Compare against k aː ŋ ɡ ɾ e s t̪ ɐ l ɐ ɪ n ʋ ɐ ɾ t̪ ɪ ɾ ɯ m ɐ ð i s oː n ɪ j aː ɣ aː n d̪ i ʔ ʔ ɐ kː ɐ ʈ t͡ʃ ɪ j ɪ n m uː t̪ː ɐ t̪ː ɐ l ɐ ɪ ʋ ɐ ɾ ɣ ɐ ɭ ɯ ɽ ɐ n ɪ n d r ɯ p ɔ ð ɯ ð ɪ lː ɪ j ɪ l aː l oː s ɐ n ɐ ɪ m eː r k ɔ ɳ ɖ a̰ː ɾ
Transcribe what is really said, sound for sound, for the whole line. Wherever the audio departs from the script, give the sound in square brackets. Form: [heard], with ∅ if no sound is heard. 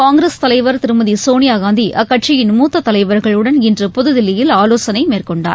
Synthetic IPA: k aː ŋ ɡ ɾ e s t̪ ɐ l ɐ ɪ [∅] ʋ ɐ ɾ t̪ ɪ ɾ ɯ m ɐ ð i s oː n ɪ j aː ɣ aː n d̪ i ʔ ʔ ɐ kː ɐ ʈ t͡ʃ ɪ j ɪ n m uː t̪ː ɐ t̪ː ɐ l ɐ ɪ ʋ ɐ ɾ ɣ ɐ ɭ ɯ ɽ ɐ n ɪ n d r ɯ p ɔ ð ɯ ð ɪ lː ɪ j ɪ l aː l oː s ɐ n ɐ ɪ m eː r k ɔ ɳ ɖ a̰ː ɾ